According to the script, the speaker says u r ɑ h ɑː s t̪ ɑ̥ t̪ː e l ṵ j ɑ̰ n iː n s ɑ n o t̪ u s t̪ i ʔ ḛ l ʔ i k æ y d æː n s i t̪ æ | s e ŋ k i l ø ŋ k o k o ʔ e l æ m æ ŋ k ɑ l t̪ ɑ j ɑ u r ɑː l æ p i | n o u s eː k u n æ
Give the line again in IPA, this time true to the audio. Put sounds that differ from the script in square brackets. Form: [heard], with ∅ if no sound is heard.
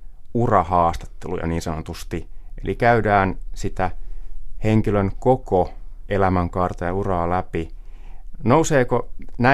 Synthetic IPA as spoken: u r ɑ h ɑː s t̪ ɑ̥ t̪ː e l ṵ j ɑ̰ n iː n s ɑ n o t̪ u s t̪ i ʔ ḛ l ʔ i k æ y d æː n s i t̪ æ | [h] e ŋ k i l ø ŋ k o k o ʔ e l æ m æ ŋ k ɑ [r] t̪ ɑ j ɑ u r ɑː l æ p i | n o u s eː k [o] n æ